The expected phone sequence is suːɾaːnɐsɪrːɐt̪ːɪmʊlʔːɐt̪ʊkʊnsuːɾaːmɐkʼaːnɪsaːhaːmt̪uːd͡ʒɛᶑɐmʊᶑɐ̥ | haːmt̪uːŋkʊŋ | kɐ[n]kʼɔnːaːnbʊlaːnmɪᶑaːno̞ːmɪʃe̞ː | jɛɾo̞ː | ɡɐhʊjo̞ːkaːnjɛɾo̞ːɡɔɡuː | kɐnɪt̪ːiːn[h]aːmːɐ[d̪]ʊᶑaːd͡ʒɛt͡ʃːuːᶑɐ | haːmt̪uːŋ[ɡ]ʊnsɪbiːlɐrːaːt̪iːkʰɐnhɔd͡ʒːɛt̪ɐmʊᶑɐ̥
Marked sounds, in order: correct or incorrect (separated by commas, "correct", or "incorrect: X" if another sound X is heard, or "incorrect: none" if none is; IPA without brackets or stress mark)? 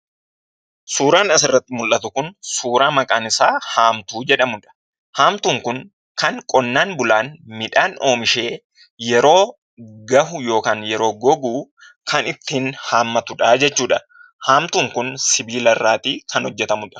incorrect: ŋ, correct, incorrect: t̪, incorrect: k